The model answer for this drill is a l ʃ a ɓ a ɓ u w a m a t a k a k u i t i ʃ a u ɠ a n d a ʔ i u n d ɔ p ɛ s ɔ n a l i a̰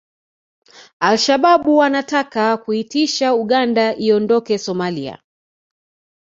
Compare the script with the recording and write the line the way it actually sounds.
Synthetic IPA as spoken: a l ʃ a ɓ a ɓ u w a n a t a k a k u i t i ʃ a u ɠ a n d a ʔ i ɔ n d ɔ k ɛ s ɔ m a l i a̰